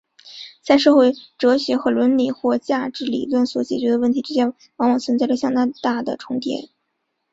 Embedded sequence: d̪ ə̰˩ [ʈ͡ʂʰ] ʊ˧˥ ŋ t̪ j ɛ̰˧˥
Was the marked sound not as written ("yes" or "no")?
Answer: no